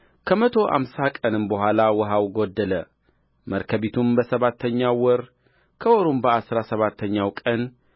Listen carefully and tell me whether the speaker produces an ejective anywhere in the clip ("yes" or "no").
yes